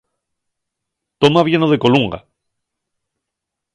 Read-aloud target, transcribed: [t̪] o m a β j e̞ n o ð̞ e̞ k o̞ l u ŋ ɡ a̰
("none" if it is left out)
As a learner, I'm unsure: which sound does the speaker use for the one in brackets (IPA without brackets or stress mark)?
t̪